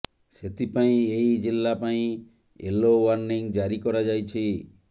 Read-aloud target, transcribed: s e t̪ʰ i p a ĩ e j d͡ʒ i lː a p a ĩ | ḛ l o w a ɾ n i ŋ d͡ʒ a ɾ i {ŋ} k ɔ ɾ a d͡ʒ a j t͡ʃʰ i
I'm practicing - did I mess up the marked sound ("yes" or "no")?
yes